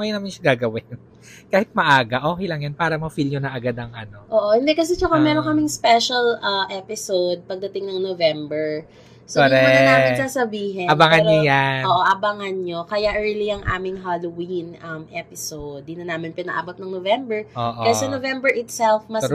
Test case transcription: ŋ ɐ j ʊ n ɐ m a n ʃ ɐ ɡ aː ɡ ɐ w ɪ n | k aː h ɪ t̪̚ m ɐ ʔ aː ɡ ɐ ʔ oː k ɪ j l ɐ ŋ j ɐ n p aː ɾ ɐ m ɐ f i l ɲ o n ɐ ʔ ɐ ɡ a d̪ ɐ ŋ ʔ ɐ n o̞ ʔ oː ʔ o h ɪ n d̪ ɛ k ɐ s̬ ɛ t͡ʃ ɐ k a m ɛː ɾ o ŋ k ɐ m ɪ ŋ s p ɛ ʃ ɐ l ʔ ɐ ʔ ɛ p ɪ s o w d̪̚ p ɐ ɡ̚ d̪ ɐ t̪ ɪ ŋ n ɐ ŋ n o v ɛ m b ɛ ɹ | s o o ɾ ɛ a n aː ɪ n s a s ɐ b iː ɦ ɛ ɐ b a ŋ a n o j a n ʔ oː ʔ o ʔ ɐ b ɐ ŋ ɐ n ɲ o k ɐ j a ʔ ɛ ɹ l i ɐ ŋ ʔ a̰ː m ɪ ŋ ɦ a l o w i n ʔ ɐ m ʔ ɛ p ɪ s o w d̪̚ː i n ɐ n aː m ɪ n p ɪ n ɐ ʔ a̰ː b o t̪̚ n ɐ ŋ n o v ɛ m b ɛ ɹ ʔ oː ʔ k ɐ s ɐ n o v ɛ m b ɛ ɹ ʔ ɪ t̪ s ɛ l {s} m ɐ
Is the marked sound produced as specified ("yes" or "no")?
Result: no